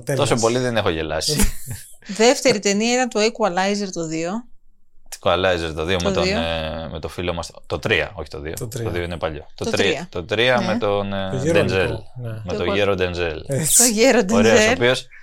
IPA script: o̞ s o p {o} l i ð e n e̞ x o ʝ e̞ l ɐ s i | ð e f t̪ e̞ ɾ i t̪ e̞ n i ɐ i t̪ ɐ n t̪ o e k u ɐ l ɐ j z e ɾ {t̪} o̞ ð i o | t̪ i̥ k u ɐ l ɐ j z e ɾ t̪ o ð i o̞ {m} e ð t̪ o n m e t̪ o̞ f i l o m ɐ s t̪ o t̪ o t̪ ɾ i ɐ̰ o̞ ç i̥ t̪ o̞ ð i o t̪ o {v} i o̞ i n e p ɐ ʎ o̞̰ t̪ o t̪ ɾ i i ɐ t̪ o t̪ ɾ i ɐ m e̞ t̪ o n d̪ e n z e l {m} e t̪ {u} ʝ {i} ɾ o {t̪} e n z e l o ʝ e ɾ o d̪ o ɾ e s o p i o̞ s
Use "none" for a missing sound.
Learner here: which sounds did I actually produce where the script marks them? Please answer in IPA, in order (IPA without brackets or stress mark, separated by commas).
o, t̪, m, ð, m, o, e, d̪